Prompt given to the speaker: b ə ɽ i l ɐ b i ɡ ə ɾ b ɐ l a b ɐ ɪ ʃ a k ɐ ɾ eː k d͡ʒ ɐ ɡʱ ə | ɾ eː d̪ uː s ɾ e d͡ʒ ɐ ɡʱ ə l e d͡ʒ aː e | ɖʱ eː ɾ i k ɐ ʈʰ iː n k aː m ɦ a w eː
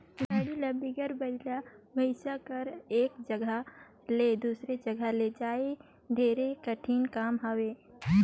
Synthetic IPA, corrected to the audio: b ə ɽ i l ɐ b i ɡ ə ɾ b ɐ l a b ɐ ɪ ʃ a k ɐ ɾ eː k d͡ʒ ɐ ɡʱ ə | l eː d̪ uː s ɾ e d͡ʒ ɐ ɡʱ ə l e d͡ʒ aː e | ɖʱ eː ɾ e k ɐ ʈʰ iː n k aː m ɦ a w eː